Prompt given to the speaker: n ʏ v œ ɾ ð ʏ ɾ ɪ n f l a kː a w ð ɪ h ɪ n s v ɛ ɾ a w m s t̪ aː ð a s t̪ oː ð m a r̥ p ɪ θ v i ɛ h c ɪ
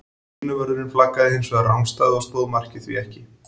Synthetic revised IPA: n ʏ v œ ɾ ð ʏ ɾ ɪ n f l a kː a ð ɪ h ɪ n s v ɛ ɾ a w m s t̪ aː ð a s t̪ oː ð m a r̥ c ɪ θ v i ɛ h c ɪ